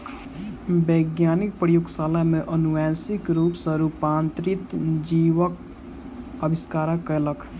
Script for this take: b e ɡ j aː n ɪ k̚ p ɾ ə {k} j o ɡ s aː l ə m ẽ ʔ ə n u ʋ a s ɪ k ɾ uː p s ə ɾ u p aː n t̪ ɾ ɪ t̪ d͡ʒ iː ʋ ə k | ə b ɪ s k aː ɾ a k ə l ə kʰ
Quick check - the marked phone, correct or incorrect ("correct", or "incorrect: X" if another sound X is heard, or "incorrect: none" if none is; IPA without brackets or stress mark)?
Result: incorrect: none